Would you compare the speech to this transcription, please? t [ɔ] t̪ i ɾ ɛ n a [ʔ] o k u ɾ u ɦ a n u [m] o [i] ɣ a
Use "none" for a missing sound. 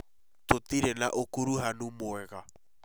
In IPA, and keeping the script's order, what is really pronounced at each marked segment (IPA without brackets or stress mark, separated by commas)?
o, ʔ, m, ɛ